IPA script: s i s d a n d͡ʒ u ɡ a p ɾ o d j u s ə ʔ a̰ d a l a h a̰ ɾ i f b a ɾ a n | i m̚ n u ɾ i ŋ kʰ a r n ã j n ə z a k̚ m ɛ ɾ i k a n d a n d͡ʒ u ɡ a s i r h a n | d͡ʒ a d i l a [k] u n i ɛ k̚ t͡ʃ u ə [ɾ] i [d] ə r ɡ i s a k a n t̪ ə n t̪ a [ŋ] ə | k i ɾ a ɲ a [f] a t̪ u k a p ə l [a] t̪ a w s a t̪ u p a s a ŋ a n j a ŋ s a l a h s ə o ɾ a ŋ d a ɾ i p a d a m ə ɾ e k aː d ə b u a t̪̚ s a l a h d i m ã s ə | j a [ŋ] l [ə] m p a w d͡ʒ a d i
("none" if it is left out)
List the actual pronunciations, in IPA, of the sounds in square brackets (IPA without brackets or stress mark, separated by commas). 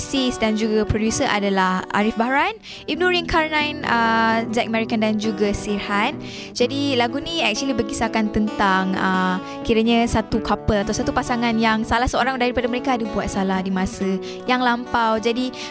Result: ɡ, l, b, ŋ, s, a, ŋ, a